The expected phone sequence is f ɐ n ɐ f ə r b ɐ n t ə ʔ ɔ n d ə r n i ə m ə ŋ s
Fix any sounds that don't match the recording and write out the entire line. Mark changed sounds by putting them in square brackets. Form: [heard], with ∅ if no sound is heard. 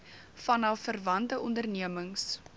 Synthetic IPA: f ɐ n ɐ f ə r [v] ɐ n t ə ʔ ɔ n d ə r n i ə m ə ŋ s